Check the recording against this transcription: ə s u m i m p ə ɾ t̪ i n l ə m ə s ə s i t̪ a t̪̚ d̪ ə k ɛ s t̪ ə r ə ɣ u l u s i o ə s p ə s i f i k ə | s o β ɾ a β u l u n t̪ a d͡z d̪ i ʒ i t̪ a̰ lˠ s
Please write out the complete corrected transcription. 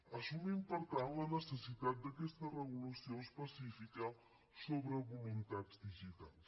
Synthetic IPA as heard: ə s u m i m p ə ɾ t̪ a n l ə n ə s ə s i t̪ a t̪̚ d̪ ə k ɛ s t̪ ə r ə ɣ u l u s i o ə s p ə s i f i k ə | s o β ɾ ə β u l u n t̪ a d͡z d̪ i ʒ i t̪ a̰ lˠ s